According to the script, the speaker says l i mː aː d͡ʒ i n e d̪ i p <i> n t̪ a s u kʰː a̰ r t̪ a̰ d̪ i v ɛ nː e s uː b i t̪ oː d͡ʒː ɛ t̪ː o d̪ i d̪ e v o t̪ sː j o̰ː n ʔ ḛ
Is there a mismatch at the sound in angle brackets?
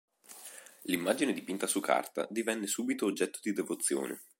no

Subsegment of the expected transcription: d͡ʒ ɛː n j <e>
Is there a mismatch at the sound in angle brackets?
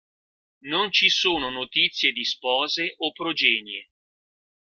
no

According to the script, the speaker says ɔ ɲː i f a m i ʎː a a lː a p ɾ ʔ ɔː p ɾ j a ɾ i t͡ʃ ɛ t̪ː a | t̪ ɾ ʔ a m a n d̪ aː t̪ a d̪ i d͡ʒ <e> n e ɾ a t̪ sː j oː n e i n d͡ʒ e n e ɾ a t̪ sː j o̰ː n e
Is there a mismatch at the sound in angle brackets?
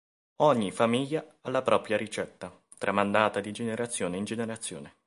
no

